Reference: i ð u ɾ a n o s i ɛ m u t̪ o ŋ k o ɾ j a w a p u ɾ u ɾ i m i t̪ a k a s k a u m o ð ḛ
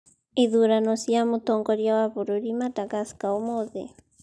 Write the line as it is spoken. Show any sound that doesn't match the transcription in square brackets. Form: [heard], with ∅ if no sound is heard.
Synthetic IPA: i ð u ɾ a n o s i [a] m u t̪ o ŋ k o ɾ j a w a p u ɾ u ɾ i m [a] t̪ a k a s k a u m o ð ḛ

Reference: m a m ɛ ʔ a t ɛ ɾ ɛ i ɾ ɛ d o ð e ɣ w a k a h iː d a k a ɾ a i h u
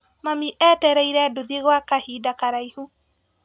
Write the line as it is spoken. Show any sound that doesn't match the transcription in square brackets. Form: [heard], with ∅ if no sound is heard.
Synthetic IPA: m a m [i] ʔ [ɛ] t ɛ ɾ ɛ i ɾ ɛ d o ð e ɣ w a k a h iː d a k a ɾ a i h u

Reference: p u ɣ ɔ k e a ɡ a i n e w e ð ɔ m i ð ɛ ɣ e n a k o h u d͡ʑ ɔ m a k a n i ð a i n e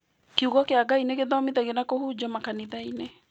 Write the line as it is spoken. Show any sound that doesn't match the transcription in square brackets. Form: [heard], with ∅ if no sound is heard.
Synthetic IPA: [k] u ɣ ɔ k e a ɡ a i n e [ɣ] e ð ɔ m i ð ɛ ɣ e n a k o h u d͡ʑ ɔ m a k a n i ð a i n e

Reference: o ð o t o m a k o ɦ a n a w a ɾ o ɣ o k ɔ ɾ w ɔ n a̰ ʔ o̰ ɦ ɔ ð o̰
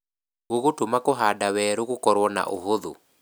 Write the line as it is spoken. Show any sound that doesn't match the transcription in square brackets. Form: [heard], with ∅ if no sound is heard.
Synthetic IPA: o [ɣ] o t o m a k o ɦ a [d] a w [ɛ] ɾ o ɣ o k ɔ ɾ w ɔ n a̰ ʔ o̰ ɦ [o] ð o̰

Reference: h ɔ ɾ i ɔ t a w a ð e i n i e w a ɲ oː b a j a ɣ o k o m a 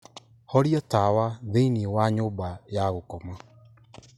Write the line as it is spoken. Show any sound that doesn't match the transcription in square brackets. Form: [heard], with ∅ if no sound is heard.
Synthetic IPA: h ɔ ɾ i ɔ t a w a ð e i n i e w a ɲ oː b a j a ɣ o k [ɔ] m a

